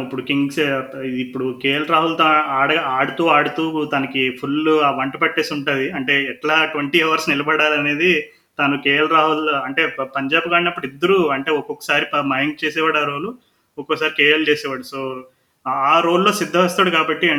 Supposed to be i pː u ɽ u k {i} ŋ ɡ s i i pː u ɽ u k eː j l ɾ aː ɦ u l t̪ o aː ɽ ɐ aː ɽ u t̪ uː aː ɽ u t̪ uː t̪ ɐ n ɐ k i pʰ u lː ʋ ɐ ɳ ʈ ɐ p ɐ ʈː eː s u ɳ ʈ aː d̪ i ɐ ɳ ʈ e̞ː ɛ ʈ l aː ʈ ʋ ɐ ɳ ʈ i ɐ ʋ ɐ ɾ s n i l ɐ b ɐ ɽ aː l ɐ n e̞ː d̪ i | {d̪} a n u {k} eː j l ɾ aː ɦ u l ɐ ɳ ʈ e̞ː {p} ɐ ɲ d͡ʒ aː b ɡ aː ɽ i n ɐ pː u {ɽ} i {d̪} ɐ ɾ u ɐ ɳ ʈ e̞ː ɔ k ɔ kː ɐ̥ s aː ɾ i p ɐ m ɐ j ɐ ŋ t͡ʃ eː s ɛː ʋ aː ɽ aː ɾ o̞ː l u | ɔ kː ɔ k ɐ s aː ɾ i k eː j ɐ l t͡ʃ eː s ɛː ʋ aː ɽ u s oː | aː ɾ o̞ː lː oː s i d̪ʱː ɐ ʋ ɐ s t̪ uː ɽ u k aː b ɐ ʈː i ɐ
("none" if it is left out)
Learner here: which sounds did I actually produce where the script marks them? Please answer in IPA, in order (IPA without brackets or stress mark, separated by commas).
i, t̪, k, p, ɽ, d̪ː